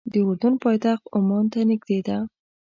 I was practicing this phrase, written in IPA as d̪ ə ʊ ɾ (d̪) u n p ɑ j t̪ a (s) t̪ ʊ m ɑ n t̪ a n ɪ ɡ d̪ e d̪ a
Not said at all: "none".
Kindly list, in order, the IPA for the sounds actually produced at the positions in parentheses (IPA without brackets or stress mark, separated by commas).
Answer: d̪, x